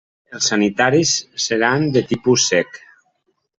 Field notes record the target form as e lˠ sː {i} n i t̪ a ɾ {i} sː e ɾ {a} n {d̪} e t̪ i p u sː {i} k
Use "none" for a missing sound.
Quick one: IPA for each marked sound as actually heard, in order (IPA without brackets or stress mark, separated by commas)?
a, i, a, d̪, ɛ